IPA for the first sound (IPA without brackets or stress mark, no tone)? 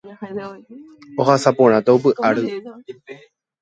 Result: o